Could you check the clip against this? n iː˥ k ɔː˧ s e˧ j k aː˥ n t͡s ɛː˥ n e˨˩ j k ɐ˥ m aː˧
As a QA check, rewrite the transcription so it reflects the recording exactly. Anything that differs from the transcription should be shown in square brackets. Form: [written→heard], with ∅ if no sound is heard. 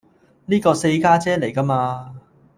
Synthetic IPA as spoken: n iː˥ k ɔː˧ s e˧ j k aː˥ [n→∅] t͡s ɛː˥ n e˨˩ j k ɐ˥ m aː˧